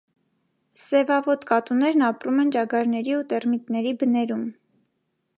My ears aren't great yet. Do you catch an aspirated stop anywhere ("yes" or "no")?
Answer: no